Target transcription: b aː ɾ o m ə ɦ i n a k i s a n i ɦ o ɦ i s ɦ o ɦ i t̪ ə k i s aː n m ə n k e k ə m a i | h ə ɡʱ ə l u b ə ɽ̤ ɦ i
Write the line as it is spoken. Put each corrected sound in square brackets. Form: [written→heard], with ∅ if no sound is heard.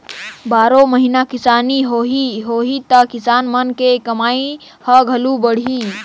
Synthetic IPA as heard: b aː ɾ o m ə ɦ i n a k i s a n i ɦ o ɦ i [s→∅] ɦ o ɦ i t̪ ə k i s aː n m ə n k e k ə m a i | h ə ɡʱ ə l u b ə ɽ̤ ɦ i

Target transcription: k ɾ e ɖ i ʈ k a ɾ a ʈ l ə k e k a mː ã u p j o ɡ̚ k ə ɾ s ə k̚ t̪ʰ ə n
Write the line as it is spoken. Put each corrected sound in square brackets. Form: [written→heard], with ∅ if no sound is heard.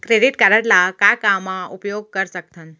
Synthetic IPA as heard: k ɾ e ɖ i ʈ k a ɾ [a→ə] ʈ l [ə→a] k [e→a] k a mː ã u p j o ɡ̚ k ə ɾ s ə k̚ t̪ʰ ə n

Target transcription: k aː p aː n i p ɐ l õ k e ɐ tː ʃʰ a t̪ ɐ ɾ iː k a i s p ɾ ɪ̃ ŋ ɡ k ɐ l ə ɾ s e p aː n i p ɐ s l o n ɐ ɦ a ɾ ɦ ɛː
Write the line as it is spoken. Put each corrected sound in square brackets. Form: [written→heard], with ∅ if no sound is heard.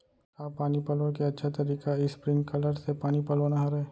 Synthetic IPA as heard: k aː p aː n i p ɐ l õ k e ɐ tː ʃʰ a t̪ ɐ ɾ iː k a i s p ɾ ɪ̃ ŋ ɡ k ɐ l ə ɾ s e p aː n i p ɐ [s→∅] l o n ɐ ɦ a ɾ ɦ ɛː

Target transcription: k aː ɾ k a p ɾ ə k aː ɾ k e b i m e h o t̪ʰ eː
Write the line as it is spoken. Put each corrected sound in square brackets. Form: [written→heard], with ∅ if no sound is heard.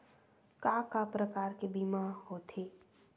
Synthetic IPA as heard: k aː [ɾ→∅] k a p ɾ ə k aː ɾ k e b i m [e→a] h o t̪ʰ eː

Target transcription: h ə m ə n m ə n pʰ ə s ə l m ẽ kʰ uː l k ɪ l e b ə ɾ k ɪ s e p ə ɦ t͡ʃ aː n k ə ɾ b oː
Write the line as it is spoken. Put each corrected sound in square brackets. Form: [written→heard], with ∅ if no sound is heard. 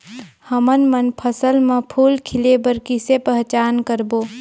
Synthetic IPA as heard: h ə m ə n m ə n pʰ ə s ə l m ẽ [kʰ→pʰ] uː l [k→kʰ] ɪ l e b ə ɾ k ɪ s e p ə ɦ t͡ʃ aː n k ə ɾ b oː

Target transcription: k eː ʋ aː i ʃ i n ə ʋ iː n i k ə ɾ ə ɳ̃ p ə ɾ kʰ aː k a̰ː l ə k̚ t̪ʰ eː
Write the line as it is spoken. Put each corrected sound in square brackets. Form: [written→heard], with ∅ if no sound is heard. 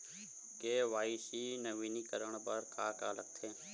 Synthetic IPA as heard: k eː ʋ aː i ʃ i n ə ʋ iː n i k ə ɾ ə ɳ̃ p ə ɾ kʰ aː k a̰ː l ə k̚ t̪ʰ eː

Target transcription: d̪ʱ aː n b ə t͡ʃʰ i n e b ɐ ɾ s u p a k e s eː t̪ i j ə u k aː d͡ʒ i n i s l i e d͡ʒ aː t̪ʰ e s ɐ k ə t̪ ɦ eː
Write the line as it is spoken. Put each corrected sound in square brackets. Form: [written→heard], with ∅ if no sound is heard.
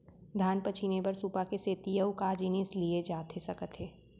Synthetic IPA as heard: d̪ʱ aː n [b→p] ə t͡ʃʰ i n e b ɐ ɾ s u p a k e s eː t̪ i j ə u k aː d͡ʒ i n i s l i e d͡ʒ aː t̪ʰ e s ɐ k ə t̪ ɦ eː

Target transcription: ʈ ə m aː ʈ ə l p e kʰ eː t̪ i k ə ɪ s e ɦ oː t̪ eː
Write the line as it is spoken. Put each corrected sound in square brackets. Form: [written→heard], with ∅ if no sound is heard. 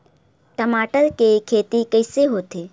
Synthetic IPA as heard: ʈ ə m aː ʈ ə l [p→k] e kʰ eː t̪ i k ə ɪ s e ɦ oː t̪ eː

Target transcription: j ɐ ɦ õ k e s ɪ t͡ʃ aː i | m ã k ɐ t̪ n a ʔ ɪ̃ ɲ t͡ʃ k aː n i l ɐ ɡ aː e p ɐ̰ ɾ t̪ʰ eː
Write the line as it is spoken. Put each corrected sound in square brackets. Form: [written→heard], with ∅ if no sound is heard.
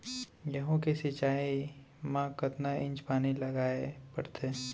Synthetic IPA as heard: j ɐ ɦ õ k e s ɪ t͡ʃ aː i | m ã k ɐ t̪ n a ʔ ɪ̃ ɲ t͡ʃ [k→p] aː n i l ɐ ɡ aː e p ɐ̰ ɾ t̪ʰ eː

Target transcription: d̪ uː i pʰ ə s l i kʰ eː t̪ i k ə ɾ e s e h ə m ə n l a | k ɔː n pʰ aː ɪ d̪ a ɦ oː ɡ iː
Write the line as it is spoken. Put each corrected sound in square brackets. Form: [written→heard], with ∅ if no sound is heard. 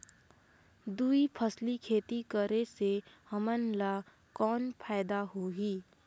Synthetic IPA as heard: d̪ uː i pʰ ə s l i kʰ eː t̪ i k ə ɾ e s e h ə m ə n l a | k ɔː n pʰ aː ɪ d̪ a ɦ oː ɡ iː

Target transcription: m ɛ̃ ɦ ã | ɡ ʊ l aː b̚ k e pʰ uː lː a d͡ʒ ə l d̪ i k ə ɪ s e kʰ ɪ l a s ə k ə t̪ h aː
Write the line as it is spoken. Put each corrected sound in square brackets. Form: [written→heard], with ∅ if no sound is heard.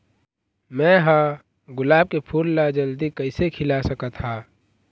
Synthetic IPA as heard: m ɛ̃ ɦ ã | ɡ ʊ l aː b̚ k e pʰ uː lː a d͡ʒ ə l d̪ i k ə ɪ s e kʰ ɪ l a s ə k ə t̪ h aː

